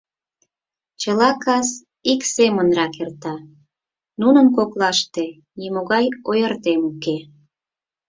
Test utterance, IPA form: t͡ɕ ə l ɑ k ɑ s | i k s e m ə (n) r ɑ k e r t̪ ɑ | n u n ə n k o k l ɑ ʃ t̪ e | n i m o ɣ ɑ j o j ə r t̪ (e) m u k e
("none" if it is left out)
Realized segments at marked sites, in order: n, e

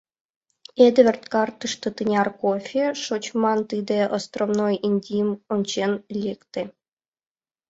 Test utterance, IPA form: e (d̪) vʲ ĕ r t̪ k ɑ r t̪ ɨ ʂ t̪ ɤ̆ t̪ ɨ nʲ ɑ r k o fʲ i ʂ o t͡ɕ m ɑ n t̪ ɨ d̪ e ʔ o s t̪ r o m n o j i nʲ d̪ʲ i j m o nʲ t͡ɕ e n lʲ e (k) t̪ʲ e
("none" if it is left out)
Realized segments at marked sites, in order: d̪, k

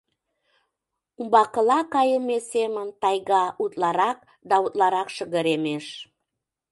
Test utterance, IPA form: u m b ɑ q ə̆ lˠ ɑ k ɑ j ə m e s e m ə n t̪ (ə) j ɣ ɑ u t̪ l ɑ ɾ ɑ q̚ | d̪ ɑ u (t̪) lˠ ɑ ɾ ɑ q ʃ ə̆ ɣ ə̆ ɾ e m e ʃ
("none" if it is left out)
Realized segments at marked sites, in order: ɑ, t̪

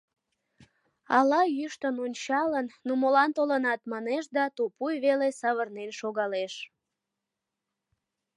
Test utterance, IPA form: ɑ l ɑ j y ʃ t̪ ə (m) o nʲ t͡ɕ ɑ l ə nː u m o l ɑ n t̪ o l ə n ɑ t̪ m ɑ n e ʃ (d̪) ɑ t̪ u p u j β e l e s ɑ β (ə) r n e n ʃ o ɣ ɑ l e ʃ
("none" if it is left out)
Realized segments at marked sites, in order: n, d̪, ə

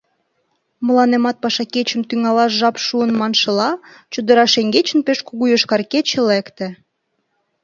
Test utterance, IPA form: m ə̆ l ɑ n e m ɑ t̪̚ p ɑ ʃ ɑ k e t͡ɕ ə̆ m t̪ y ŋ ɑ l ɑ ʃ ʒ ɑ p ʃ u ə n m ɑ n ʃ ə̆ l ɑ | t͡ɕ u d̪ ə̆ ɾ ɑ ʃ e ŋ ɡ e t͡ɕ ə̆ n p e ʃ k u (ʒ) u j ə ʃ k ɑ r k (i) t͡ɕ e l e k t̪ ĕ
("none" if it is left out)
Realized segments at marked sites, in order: ɣ, e

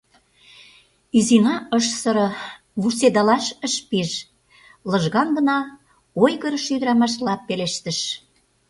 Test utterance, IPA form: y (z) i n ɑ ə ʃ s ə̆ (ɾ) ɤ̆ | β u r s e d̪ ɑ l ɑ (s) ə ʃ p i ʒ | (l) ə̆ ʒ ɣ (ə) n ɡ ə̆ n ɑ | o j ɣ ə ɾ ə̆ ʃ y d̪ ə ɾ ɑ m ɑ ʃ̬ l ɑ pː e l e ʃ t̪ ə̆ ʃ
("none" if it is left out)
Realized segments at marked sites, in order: z, ɾ, ʃ, l, ɑ

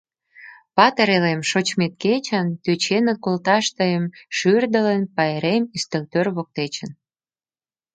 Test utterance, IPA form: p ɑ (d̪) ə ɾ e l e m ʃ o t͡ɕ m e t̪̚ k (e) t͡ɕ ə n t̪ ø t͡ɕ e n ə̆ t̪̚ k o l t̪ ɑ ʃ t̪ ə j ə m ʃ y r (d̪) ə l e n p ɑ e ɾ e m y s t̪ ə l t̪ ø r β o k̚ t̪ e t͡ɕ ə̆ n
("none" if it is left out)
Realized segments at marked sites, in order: t̪, e, d̪

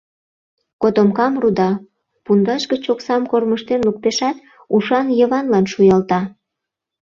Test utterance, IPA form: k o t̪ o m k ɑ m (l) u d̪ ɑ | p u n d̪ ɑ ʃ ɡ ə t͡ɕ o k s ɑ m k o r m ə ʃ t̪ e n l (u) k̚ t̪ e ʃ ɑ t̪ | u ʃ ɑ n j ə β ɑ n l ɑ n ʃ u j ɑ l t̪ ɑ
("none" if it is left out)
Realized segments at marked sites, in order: r, u

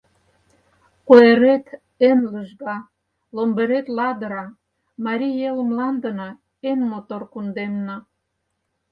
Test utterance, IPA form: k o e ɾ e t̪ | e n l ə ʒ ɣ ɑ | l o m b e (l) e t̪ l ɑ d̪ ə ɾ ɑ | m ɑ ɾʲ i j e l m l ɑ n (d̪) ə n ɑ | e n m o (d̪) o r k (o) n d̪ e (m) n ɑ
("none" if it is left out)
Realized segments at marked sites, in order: ɾ, d̪, t̪, u, m

